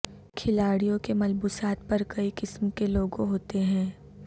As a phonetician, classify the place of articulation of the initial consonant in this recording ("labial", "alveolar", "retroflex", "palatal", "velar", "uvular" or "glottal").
velar